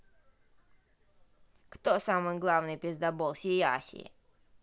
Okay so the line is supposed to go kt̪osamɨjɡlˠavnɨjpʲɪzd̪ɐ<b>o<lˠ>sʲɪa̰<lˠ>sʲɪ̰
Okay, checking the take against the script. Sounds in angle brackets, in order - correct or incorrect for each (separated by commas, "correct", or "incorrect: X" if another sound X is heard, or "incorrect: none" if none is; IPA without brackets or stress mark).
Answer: correct, correct, incorrect: none